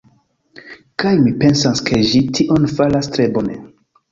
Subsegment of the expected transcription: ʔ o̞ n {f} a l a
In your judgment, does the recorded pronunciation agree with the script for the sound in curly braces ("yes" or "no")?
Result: yes